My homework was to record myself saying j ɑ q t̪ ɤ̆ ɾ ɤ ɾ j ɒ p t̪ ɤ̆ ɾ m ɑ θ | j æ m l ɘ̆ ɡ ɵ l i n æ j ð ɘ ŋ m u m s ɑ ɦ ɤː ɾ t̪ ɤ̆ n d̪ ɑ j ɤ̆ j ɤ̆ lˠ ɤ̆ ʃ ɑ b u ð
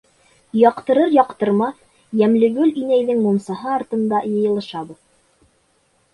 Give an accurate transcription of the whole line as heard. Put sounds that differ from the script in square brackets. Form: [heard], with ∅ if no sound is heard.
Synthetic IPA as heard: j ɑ q t̪ ɤ̆ ɾ ɤ ɾ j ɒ [q] t̪ ɤ̆ ɾ m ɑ θ | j æ m l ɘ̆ ɡ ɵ l i n æ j ð ɘ ŋ m u m s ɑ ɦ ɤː ɾ t̪ ɤ̆ n d̪ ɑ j ɤ̆ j ɤ̆ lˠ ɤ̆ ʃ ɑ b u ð